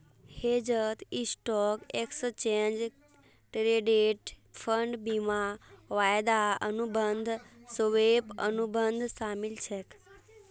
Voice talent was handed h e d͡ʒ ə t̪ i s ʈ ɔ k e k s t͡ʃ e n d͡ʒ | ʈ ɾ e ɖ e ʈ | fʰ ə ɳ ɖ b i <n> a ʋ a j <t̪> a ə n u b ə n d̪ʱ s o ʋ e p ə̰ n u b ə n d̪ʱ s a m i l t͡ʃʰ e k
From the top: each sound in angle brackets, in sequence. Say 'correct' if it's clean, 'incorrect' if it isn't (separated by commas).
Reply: incorrect, incorrect